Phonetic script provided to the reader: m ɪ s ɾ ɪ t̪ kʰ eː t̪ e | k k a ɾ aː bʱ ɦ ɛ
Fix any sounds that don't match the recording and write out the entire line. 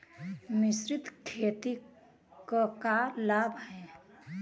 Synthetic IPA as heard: m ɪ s ɾ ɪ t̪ kʰ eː t̪ i | k k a l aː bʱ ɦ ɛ